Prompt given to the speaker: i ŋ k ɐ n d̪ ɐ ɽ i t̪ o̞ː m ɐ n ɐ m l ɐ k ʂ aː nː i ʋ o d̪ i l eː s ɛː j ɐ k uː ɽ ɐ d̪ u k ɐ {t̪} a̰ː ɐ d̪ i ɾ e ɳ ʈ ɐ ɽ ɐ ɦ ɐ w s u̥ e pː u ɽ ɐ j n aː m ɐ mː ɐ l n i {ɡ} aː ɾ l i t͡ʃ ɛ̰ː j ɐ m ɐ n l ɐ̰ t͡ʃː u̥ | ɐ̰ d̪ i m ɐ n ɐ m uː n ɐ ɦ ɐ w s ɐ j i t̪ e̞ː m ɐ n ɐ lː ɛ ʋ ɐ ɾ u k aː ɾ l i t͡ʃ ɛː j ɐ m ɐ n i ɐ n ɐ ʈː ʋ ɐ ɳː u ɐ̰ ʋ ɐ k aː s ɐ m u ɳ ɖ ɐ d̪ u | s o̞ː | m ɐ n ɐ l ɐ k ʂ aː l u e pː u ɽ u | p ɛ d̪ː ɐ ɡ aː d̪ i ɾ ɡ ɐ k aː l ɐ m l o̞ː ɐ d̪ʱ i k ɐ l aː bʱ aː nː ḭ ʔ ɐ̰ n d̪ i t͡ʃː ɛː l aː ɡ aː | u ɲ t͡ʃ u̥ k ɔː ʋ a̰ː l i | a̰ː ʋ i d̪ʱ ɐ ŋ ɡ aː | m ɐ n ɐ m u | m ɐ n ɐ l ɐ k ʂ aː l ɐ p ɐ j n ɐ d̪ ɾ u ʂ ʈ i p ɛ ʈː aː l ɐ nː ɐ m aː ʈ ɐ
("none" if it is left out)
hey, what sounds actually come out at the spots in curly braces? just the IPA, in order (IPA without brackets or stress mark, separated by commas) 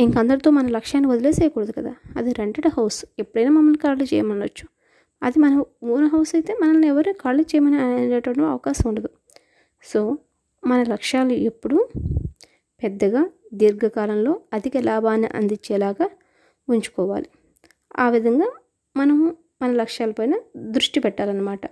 d̪, k